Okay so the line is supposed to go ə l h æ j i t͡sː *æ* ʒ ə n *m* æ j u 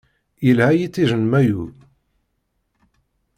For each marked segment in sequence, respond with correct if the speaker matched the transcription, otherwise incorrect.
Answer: incorrect, correct

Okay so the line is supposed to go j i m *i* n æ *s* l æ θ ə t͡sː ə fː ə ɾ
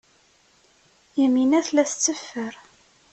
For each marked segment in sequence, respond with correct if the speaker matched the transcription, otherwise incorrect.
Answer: correct, incorrect

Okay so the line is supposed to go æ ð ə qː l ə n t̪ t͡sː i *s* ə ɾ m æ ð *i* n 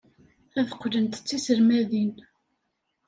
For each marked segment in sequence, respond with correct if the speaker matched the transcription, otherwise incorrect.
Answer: correct, correct

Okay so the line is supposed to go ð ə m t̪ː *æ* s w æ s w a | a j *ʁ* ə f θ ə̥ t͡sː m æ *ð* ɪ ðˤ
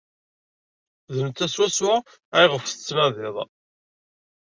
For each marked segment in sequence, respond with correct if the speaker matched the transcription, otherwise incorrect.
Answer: correct, correct, correct

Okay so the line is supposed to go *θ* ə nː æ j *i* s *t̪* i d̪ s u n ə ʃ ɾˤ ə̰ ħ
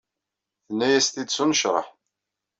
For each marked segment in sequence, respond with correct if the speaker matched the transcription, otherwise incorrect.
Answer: correct, incorrect, correct

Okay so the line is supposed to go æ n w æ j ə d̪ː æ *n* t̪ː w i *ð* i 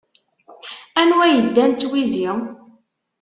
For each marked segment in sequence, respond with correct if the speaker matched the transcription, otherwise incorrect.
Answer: correct, incorrect

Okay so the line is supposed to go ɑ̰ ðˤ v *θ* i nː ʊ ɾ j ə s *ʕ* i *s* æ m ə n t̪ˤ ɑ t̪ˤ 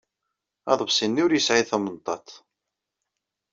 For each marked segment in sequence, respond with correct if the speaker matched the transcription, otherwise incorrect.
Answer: incorrect, correct, incorrect

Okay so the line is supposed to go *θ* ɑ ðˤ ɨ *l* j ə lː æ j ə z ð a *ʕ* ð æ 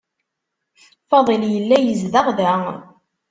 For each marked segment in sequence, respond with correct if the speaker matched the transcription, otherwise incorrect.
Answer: incorrect, correct, incorrect

